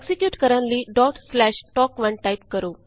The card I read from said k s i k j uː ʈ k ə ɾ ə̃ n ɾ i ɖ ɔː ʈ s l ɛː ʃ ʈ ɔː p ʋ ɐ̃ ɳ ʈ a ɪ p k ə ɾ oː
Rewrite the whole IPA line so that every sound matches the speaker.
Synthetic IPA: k s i k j uː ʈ k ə ɾ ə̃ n l i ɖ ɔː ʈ s l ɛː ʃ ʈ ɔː k ʋ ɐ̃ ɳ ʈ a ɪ p k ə ɾ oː